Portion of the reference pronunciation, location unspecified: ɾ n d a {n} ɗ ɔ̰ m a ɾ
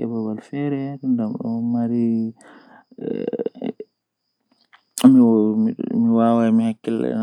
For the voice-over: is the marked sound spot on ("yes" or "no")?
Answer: no